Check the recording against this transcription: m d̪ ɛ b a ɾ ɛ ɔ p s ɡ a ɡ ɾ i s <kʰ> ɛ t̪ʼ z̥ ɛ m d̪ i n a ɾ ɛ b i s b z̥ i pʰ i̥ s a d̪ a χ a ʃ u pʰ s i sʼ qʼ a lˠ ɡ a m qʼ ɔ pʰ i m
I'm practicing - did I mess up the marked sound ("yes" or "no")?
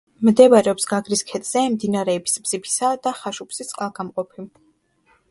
no